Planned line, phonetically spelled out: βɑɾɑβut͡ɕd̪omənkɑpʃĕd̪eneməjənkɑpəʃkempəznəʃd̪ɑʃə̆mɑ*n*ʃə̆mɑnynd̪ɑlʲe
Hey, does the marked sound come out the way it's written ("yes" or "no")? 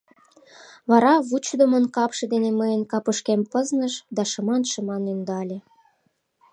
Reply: yes